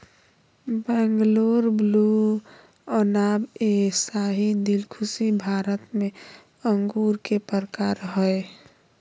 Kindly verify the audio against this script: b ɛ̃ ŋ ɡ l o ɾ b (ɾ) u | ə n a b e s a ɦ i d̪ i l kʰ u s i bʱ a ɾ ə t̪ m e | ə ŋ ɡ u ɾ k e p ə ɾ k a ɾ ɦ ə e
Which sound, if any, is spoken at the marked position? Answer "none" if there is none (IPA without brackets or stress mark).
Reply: l